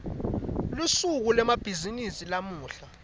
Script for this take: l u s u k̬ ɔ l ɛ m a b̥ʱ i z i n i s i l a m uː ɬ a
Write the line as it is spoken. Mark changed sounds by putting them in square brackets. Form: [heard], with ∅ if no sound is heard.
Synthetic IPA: l u s u k̬ [u] l ɛ m a b̥ʱ i z i n i s i l a m uː ɬ a